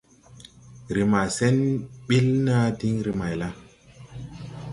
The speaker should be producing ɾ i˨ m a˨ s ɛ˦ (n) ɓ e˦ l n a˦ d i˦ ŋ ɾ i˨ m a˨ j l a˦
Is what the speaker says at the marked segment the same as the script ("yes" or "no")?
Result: yes